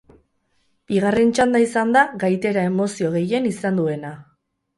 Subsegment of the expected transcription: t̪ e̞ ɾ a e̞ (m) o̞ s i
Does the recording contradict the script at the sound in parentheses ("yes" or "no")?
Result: no